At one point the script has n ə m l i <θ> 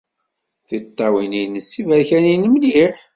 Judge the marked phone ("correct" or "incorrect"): incorrect